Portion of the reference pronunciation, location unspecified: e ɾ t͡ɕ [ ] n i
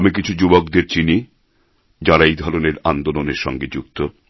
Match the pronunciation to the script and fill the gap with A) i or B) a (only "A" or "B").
A